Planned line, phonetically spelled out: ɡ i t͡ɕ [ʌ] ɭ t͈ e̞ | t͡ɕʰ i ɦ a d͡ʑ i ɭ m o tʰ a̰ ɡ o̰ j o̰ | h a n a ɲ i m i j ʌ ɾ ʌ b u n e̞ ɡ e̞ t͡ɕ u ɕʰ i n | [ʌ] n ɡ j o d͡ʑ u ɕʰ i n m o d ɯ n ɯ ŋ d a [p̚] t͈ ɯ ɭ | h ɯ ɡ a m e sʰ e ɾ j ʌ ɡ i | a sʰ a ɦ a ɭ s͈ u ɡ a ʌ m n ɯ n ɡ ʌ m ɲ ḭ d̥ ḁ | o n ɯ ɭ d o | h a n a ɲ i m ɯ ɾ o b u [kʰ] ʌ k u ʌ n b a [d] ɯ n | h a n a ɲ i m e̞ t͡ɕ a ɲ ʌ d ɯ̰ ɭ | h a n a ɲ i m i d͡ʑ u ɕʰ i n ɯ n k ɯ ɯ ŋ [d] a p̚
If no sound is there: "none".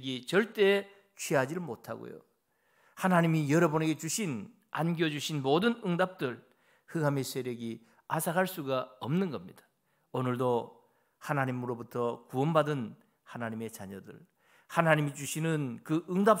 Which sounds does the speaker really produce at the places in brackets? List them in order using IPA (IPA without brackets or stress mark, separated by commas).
ʌ, a, p̚, tʰ, d, d